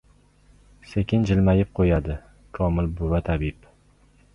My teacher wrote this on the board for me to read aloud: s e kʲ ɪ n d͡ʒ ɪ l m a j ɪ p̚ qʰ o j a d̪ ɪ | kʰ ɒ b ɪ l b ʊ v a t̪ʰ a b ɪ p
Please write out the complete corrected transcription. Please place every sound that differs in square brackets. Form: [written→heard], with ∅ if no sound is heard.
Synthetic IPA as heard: s e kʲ ɪ n d͡ʒ ɪ l m a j ɪ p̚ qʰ o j a d̪ ɪ | kʰ ɒ [b→m] ɪ l b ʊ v a t̪ʰ a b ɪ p